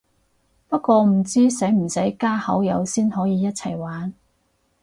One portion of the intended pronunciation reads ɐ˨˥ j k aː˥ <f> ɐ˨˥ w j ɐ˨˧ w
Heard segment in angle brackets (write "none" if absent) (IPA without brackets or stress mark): h